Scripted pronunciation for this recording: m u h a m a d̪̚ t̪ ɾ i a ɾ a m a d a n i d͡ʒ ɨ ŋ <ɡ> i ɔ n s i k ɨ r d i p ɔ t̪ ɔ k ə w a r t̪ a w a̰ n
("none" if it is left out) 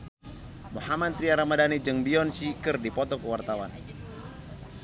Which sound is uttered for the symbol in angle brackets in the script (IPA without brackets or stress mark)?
b